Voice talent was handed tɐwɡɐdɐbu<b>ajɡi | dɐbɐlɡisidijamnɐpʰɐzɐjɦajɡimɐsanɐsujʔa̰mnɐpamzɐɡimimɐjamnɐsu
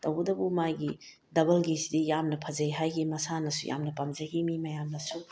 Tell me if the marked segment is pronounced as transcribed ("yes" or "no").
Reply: no